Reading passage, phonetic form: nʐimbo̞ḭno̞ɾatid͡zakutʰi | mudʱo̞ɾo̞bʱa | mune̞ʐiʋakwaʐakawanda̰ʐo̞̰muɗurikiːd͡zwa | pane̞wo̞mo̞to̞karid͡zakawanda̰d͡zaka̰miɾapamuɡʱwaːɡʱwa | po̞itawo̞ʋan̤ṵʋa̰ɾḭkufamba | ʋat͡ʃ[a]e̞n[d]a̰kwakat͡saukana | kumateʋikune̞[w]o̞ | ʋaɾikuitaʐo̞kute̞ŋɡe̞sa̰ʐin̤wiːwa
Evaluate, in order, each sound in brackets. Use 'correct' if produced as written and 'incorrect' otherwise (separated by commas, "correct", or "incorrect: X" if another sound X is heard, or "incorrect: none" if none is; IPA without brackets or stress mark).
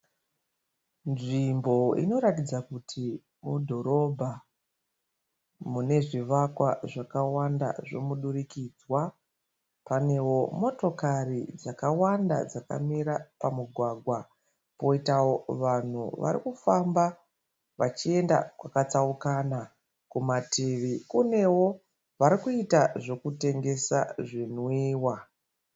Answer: incorrect: i, correct, correct